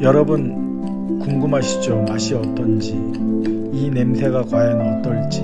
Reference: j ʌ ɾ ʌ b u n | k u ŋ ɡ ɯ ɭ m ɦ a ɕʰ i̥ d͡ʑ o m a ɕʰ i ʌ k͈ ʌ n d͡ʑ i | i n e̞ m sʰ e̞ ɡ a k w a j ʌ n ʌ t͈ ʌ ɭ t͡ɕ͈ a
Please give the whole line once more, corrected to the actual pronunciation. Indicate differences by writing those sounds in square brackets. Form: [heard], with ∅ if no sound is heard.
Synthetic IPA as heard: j ʌ ɾ ʌ b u n | k u ŋ ɡ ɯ [∅] m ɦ a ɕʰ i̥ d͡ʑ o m a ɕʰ i ʌ [t͈] ʌ n d͡ʑ i | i n e̞ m sʰ e̞ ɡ a k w a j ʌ n ʌ t͈ ʌ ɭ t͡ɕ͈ [i]